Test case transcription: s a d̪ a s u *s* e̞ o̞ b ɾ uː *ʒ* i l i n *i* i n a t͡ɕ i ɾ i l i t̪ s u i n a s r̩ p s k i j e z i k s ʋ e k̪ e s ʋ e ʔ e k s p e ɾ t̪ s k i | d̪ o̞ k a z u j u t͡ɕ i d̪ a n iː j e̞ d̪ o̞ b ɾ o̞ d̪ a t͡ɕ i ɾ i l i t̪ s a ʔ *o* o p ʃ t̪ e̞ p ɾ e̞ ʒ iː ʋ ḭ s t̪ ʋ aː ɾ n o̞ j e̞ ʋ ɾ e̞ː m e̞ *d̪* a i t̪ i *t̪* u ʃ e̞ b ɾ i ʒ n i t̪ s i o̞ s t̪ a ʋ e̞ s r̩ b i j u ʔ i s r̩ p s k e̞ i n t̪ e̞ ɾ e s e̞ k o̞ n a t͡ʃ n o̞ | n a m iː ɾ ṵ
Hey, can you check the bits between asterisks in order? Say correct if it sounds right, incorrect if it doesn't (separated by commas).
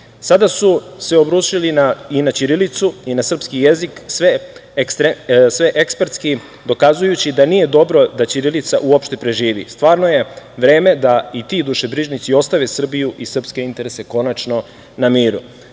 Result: correct, incorrect, incorrect, incorrect, correct, incorrect